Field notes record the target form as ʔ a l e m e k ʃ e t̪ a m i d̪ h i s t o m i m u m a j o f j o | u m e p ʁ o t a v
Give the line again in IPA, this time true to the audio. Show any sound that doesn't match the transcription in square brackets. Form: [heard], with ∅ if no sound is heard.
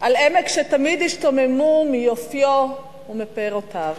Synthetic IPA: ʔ a l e m e k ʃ e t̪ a m i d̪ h i [ʃ] t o m [e] m u m [i] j o f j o | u m e p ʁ o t a v